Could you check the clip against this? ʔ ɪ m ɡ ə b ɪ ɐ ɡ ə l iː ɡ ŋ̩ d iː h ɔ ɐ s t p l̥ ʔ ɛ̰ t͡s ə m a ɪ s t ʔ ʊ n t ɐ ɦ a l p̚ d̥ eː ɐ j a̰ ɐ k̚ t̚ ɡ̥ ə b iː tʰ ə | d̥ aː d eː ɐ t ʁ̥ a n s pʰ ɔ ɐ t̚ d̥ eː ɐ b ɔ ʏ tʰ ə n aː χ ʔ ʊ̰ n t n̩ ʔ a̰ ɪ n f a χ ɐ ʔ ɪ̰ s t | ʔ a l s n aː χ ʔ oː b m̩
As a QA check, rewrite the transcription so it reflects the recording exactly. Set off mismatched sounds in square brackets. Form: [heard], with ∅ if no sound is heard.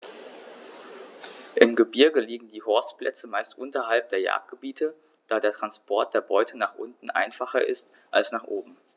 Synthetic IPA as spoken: ʔ ɪ m ɡ ə b ɪ ɐ ɡ ə l iː ɡ ŋ̩ d iː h ɔ ɐ s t p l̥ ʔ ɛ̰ t͡s ə m a ɪ s t ʔ ʊ n t ɐ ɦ a l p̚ d̥ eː ɐ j a̰ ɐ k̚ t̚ ɡ̥ ə b iː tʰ ə | d̥ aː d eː ɐ t ʁ̥ a n s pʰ ɔ ɐ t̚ d̥ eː ɐ b ɔ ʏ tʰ ə n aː χ ʔ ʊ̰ n t n̩ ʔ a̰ ɪ n f a χ ɐ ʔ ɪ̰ s t | ʔ a l s n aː χ ʔ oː b m̩